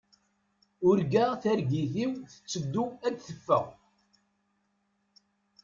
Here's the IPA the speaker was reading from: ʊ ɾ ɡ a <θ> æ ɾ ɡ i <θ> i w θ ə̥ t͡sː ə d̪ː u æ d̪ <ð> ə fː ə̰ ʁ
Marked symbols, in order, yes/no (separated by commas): yes, yes, no